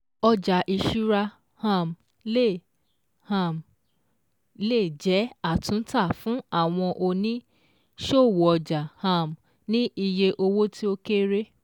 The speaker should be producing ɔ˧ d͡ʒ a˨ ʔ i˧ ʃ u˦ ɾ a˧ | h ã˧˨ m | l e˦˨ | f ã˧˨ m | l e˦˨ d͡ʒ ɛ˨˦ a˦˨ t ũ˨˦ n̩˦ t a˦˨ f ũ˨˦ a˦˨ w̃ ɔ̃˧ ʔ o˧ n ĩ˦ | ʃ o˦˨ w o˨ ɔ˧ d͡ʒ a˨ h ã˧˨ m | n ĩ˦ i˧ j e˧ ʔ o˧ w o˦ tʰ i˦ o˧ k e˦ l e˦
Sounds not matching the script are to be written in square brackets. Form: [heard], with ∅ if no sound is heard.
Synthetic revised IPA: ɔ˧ d͡ʒ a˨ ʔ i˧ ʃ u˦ ɾ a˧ | h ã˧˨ m | l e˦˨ | [h] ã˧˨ m | l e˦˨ d͡ʒ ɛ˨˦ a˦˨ t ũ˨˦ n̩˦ t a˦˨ f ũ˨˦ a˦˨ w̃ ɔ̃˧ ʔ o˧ n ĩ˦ | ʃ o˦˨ w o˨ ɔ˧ d͡ʒ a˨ h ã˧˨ m | n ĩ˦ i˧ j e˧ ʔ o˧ w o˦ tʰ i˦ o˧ k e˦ [ɾ] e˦

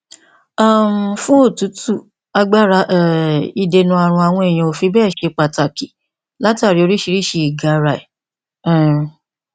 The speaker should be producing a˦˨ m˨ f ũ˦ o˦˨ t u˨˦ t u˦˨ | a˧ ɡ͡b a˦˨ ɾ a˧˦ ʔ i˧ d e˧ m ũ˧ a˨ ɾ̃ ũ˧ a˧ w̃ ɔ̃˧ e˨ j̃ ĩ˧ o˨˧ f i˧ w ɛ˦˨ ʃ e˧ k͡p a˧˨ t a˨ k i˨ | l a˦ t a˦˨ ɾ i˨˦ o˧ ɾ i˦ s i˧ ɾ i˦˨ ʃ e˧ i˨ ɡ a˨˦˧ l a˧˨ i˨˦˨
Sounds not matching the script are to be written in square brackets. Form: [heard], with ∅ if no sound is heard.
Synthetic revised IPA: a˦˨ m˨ f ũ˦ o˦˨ t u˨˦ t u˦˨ | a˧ ɡ͡b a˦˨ ɾ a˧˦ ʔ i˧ d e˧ [n] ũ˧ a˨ ɾ̃ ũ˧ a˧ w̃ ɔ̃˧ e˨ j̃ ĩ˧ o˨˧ f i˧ [b] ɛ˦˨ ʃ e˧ k͡p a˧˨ t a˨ k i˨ | l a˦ t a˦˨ ɾ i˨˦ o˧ ɾ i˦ [ʃ] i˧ ɾ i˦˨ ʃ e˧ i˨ ɡ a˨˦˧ [ɾ] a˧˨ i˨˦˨

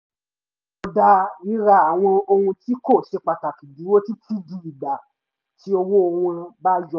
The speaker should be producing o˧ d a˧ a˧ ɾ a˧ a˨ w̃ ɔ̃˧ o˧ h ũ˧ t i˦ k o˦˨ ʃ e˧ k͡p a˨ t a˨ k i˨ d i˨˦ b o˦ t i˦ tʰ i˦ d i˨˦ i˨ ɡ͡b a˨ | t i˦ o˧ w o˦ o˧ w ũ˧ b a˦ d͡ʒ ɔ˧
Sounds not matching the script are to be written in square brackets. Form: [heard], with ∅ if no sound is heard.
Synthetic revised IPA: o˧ d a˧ [i˧] ɾ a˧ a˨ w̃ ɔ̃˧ o˧ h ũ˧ t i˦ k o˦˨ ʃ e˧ k͡p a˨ t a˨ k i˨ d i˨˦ [w] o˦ t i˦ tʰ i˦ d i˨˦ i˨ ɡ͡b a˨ | t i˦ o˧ w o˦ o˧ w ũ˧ b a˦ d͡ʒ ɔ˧

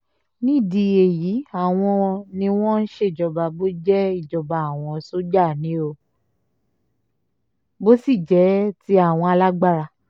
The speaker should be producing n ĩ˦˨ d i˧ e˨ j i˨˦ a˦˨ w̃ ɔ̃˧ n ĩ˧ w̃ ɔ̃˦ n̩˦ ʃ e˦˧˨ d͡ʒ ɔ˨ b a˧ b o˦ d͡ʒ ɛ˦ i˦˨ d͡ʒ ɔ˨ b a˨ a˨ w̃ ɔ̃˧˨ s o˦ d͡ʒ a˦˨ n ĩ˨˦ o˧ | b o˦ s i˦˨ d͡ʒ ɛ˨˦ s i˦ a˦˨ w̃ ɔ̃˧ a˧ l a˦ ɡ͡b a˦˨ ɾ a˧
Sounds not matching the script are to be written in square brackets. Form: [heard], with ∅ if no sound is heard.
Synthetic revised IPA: n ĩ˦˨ d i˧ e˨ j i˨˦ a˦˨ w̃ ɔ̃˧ n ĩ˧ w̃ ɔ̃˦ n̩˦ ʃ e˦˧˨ d͡ʒ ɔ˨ b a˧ b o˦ d͡ʒ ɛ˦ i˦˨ d͡ʒ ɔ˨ b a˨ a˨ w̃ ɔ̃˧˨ s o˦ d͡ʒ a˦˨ n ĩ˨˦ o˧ | b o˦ s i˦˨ d͡ʒ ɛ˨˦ [t] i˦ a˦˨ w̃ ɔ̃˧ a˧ l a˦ ɡ͡b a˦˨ ɾ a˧

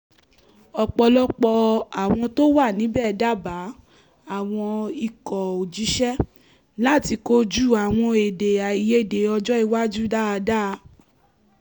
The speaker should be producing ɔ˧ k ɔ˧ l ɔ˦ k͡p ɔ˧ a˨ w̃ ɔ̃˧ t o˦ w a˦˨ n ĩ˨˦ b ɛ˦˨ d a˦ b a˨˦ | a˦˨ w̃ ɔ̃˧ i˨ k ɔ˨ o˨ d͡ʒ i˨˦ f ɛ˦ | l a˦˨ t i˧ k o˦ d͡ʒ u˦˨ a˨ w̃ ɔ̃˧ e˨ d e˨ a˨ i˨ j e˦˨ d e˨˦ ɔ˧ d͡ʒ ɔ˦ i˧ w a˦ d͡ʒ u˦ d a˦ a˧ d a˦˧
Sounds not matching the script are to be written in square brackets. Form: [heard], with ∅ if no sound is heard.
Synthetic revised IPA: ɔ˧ [k͡p] ɔ˧ l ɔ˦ k͡p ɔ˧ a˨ w̃ ɔ̃˧ t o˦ w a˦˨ n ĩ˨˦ b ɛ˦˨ d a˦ b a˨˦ | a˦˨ w̃ ɔ̃˧ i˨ k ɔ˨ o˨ d͡ʒ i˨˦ [ʃ] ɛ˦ | l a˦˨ t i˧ k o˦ d͡ʒ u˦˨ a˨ w̃ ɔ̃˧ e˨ d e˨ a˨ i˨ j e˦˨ d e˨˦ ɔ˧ d͡ʒ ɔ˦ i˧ w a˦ d͡ʒ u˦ d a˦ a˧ d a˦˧

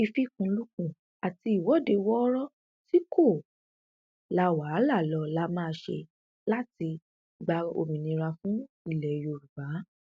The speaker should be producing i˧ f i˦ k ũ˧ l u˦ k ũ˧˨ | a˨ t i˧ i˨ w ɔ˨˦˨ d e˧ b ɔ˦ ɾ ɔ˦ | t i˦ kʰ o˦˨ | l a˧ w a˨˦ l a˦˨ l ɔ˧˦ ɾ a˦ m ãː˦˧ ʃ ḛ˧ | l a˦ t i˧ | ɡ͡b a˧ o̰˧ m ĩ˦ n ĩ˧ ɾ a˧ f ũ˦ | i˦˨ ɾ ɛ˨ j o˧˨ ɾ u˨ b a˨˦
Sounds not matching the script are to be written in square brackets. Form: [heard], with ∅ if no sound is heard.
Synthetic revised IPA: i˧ f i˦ k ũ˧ l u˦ k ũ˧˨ | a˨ t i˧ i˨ w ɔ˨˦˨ d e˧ [w] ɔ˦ ɾ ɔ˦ | t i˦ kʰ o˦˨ | l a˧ w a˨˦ l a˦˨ l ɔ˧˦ [l] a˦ m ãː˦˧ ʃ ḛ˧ | l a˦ t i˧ | ɡ͡b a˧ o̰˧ m [ĩ˨] n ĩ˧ ɾ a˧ f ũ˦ | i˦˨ [l] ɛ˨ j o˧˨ ɾ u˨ b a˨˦

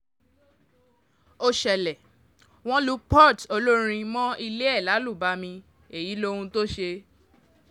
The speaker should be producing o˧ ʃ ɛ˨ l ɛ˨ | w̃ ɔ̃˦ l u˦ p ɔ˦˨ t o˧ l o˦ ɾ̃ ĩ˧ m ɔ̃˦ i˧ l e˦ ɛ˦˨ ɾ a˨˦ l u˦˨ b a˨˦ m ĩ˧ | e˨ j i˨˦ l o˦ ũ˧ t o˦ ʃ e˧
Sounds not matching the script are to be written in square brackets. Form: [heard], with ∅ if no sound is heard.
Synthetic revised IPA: o˧ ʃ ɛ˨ l ɛ˨ | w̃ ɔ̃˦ l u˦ p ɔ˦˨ t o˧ l o˦ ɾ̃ ĩ˧ m ɔ̃˦ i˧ l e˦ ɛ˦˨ [l] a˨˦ l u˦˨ b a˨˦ m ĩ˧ | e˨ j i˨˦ l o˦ ũ˧ t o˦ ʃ e˧

